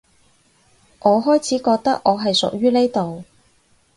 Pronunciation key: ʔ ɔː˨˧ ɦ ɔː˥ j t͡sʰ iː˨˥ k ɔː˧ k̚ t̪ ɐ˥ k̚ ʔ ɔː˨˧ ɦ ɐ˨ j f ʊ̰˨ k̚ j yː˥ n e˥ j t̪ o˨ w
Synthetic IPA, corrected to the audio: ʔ ɔː˨˧ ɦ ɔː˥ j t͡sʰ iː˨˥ k ɔː˧ k̚ t̪ ɐ˥ k̚ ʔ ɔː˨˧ ɦ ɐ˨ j s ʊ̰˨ k̚ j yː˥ n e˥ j t̪ o˨ w